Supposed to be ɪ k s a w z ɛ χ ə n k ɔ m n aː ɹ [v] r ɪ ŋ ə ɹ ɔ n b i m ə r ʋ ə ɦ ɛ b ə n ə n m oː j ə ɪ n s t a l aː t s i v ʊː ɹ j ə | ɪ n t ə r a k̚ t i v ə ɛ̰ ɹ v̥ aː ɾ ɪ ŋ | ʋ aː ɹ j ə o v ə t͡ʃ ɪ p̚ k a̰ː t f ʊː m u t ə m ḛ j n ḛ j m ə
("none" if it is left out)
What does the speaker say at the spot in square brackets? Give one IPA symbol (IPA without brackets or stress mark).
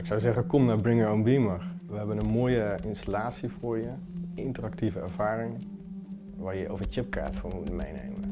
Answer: b